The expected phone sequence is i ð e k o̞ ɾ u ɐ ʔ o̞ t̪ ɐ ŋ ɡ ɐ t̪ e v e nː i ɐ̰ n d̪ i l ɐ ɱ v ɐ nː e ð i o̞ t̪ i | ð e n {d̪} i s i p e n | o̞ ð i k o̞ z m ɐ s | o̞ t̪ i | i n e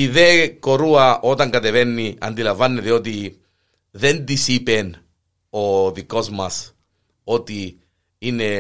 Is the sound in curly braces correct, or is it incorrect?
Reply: correct